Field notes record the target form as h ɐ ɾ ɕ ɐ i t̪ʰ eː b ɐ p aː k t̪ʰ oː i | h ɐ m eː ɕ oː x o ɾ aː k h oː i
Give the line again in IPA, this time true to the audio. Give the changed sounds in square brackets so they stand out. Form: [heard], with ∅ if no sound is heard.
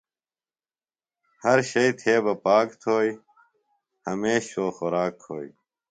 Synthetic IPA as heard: h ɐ ɾ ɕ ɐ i t̪ʰ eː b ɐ p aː k t̪ʰ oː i | h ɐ m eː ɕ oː x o ɾ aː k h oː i